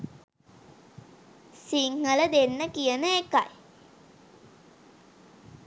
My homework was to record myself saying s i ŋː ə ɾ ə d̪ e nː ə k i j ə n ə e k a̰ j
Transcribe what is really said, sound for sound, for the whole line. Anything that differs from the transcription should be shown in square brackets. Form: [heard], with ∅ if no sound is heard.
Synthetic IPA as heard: s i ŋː ə [l] ə d̪ e nː ə k i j ə n ə e k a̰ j